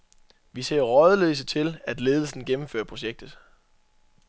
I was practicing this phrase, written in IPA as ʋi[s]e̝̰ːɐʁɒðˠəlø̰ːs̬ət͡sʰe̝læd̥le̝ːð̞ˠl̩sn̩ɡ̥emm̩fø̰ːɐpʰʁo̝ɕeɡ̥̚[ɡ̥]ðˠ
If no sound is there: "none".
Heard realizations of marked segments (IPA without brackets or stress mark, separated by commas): s, d̥